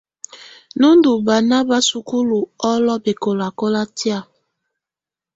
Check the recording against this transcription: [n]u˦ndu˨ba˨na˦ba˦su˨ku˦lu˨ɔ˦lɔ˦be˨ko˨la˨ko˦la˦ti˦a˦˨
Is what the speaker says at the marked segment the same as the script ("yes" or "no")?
yes